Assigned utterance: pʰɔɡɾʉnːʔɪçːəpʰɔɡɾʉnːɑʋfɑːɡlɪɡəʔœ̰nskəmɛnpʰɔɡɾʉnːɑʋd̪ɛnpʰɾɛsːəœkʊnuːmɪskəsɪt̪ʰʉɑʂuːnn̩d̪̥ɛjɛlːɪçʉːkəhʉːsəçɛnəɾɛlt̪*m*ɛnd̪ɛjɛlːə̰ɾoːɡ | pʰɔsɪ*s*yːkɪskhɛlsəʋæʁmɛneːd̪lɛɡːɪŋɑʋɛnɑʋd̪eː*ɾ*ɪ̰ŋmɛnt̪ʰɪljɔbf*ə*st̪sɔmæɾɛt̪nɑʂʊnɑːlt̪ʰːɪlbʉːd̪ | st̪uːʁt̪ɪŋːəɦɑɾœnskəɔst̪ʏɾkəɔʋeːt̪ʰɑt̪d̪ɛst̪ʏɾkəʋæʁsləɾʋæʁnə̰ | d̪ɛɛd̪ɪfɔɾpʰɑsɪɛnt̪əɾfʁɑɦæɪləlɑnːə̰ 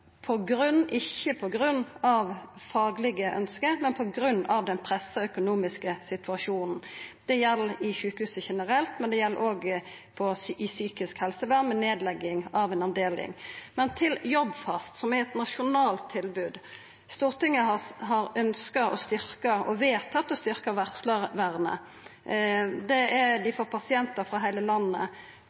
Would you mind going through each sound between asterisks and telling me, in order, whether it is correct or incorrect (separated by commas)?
correct, correct, incorrect, incorrect